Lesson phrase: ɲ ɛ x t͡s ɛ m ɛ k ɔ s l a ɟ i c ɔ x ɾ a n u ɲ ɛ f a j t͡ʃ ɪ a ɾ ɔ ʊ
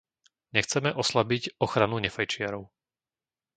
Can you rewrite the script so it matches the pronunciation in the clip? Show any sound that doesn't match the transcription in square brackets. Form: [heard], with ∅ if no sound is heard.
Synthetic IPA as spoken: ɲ ɛ x t͡s ɛ m ɛ [ʔ] ɔ s l a [b] i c ɔ x ɾ a n u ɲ ɛ f a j t͡ʃ ɪ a ɾ ɔ ʊ